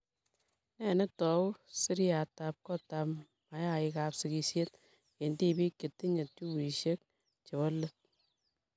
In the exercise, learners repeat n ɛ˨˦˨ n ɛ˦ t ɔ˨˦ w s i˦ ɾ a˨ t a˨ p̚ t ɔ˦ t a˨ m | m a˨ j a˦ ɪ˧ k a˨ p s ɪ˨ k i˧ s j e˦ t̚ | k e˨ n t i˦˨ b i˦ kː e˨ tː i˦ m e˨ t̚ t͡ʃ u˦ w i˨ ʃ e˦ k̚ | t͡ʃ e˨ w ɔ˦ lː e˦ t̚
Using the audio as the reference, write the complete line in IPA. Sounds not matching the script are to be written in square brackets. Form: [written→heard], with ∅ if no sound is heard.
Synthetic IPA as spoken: n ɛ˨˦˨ n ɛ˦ t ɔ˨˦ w s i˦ ɾ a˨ t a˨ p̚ [t→k] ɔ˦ t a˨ m | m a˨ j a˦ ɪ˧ k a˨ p s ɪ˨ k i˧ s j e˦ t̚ | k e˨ n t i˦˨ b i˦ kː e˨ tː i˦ [m→ɲ] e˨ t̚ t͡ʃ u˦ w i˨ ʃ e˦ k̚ | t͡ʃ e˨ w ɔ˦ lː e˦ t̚